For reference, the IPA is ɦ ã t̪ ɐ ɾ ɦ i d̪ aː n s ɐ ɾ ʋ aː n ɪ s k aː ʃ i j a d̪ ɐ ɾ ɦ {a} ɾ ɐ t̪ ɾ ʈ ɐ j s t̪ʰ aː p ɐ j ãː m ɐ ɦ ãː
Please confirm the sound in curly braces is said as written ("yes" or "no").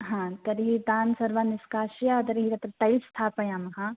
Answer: no